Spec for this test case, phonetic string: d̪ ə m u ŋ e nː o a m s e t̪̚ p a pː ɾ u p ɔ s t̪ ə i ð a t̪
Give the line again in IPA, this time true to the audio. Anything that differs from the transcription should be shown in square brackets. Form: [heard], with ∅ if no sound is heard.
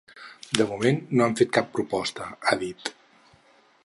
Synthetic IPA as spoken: d̪ ə m u [m] e nː o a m [f] e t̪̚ [k] a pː ɾ u p ɔ s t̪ ə [a] ð [i] t̪